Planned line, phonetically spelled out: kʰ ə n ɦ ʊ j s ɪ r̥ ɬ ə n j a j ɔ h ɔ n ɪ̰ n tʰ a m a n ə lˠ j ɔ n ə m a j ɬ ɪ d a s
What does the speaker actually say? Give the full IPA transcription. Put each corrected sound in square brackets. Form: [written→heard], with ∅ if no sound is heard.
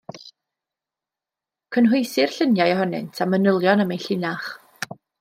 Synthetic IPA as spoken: kʰ ə n ɦ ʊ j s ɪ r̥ ɬ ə n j a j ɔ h ɔ n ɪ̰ n tʰ a m [a→ə] n ə lˠ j ɔ n ə m [a→e] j ɬ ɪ [d→n] a [s→χ]